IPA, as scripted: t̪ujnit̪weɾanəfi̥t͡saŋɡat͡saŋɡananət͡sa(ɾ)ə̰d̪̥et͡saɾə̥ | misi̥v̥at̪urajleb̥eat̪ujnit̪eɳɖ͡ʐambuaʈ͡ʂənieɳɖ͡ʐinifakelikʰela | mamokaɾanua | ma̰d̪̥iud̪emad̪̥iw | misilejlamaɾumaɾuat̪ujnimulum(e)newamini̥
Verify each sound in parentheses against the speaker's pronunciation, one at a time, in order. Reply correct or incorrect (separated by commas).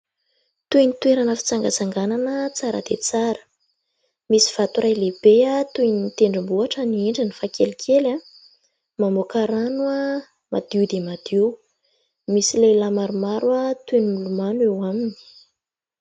correct, incorrect